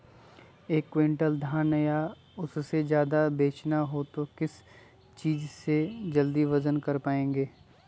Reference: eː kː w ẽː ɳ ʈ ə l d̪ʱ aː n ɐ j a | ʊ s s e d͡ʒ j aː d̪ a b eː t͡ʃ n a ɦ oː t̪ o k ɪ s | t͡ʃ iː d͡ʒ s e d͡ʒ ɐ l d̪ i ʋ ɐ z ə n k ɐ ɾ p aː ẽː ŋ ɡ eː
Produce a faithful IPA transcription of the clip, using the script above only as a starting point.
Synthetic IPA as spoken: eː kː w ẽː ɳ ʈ ə l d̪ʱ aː n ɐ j a | ʊ s s e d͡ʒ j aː d̪ a b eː t͡ʃ n a ɦ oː t̪ o k ɪ s | t͡ʃ iː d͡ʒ s e d͡ʒ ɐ l d̪ i ʋ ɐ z ə n k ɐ ɾ p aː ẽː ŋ ɡ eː